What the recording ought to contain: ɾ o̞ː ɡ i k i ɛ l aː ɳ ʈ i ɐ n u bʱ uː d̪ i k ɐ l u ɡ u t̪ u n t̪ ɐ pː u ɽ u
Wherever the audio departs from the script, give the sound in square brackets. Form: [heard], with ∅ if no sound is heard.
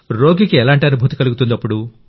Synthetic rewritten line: ɾ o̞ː ɡ i k i ɛ l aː ɳ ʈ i ɐ n u bʱ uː [t̪] i k ɐ l u ɡ u t̪ u n [d̪] ɐ pː u ɽ u

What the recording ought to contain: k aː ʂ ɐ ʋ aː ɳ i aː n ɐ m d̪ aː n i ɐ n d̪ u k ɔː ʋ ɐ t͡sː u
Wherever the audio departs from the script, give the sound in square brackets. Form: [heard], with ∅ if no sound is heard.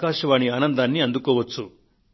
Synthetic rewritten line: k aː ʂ ɐ ʋ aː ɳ i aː n ɐ [n] d̪ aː [nː] i ɐ n d̪ u k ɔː ʋ ɐ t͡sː u

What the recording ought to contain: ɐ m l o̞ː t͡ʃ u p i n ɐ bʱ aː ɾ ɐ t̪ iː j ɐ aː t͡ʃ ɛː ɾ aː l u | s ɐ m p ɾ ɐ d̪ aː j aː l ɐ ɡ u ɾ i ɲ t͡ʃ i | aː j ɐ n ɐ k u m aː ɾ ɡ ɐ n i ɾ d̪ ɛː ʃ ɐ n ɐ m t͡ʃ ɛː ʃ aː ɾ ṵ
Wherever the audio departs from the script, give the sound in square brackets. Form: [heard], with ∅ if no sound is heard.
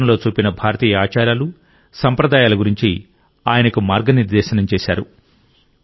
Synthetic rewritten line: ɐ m l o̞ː t͡ʃ [uː] p i n ɐ bʱ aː ɾ ɐ t̪ iː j ɐ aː t͡ʃ [aː] ɾ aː l u | s ɐ m p ɾ ɐ d̪ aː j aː l ɐ ɡ u ɾ i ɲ t͡ʃ i | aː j ɐ n ɐ k u m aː ɾ ɡ ɐ n i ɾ d̪ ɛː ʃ ɐ n ɐ m t͡ʃ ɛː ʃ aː ɾ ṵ

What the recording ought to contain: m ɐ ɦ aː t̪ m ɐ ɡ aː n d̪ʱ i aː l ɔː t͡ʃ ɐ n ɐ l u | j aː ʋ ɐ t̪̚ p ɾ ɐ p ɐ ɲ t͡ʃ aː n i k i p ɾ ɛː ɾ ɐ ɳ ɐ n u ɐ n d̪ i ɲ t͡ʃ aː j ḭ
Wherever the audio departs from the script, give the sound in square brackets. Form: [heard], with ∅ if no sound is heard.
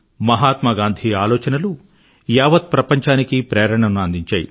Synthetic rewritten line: m ɐ ɦ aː t̪ m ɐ ɡ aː n d̪ʱ i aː l ɔː t͡ʃ ɐ n ɐ l u | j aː ʋ ɐ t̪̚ p ɾ ɐ p ɐ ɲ t͡ʃ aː n i k i p ɾ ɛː ɾ ɐ ɳ ɐ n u ɐ n d̪ i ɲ t͡ʃ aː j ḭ

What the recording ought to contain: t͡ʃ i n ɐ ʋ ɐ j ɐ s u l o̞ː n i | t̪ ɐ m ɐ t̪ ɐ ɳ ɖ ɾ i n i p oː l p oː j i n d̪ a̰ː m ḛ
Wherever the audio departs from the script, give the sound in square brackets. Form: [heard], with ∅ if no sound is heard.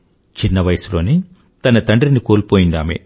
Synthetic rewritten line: t͡ʃ i [nː] ɐ ʋ ɐ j ɐ s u l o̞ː n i | t̪ ɐ [n] ɐ t̪ ɐ ɳ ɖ ɾ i n i [k] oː l p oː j i n d̪ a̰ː m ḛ

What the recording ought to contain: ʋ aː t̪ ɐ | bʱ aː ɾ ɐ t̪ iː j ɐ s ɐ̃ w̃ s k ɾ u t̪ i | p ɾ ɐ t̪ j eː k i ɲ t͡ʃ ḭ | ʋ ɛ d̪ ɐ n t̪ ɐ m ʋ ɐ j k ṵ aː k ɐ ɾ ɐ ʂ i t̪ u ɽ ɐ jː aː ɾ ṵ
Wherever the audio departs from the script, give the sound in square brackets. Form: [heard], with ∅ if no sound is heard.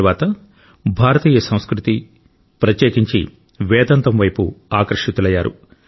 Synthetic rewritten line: ʋ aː t̪ ɐ | bʱ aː ɾ ɐ t̪ iː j ɐ s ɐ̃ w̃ s k ɾ u t̪ i | p ɾ ɐ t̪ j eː k i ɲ t͡ʃ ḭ | ʋ [ɛː] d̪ ɐ n t̪ ɐ m ʋ ɐ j [p] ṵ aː k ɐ ɾ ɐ ʂ i t̪ u [l] ɐ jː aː ɾ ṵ

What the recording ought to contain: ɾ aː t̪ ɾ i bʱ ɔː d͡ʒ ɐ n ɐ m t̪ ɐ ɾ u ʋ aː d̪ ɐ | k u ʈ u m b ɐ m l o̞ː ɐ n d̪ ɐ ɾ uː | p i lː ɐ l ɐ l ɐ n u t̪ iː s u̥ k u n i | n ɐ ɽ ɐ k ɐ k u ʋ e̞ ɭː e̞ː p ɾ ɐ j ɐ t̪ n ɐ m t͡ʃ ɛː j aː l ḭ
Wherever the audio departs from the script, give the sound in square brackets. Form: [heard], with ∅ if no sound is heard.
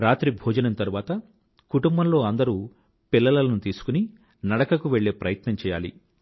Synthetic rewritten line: ɾ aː t̪ ɾ i bʱ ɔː d͡ʒ ɐ n ɐ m t̪ ɐ ɾ u ʋ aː [t̪] ɐ | k u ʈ u m b ɐ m l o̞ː ɐ n d̪ ɐ ɾ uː | p i lː ɐ l ɐ l ɐ n u t̪ iː s u̥ k u n i | n ɐ ɽ ɐ k ɐ k u ʋ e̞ ɭː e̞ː p ɾ ɐ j ɐ t̪ n ɐ m t͡ʃ ɛː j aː l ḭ

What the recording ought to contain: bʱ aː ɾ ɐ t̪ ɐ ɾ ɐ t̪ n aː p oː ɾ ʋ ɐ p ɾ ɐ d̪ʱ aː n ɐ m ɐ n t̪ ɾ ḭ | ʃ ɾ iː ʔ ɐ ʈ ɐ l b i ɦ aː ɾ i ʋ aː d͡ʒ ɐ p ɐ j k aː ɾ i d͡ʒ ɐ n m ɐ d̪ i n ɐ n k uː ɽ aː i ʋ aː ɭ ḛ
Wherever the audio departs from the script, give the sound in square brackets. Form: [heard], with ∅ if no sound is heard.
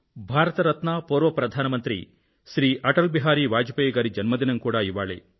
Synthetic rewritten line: bʱ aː ɾ ɐ t̪ ɐ ɾ ɐ t̪ n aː p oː ɾ ʋ ɐ p ɾ ɐ d̪ʱ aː n ɐ m ɐ n t̪ ɾ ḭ | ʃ ɾ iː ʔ ɐ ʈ ɐ l b i ɦ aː ɾ i ʋ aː d͡ʒ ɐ p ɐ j [ɡ] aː ɾ i d͡ʒ ɐ n m ɐ d̪ i n ɐ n k uː ɽ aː i ʋ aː ɭ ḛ

